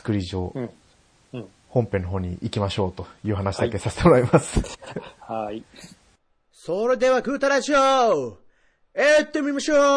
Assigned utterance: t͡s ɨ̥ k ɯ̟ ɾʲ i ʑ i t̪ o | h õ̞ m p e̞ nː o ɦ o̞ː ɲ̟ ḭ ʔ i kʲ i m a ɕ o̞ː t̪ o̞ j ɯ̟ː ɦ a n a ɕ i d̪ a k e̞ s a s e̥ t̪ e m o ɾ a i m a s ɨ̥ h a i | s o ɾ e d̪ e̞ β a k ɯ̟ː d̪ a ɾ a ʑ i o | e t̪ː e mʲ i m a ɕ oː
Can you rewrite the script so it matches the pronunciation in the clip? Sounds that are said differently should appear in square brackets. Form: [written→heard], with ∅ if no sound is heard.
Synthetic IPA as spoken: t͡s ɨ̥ k ɯ̟ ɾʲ i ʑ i [t̪→∅] o | h õ̞ m p e̞ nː o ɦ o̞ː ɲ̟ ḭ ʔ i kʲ i m a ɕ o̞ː t̪ o̞ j ɯ̟ː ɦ a n a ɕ i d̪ a k e̞ s a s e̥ t̪ e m o ɾ a i m a s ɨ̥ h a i | s o ɾ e d̪ e̞ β a k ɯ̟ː [d̪→t̪] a ɾ a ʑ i o | e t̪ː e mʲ i m a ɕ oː